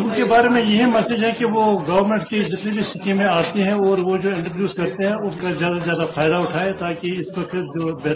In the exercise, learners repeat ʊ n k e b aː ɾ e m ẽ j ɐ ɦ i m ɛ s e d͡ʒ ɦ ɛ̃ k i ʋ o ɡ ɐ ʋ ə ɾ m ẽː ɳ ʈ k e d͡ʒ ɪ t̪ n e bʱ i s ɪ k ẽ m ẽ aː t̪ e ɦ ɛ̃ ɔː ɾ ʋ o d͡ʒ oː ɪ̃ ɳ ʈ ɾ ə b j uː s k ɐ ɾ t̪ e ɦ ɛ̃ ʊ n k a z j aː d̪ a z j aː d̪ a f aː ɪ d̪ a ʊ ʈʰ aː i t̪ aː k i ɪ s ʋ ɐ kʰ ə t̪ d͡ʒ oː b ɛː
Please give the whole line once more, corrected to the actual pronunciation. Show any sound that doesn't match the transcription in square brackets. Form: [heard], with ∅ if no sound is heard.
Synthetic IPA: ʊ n k e b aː ɾ e m ẽ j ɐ ɦ i m ɛ s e d͡ʒ ɦ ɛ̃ k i ʋ o ɡ ɐ ʋ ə ɾ m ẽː ɳ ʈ k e d͡ʒ ɪ t̪ n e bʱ i s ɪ k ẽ m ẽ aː t̪ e ɦ ɛ̃ ɔː ɾ ʋ o d͡ʒ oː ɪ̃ ɳ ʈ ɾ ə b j uː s k ɐ ɾ t̪ e ɦ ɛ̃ ʊ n k a z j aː d̪ a z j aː d̪ a f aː ɪ d̪ a ʊ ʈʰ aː [e] t̪ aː k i ɪ s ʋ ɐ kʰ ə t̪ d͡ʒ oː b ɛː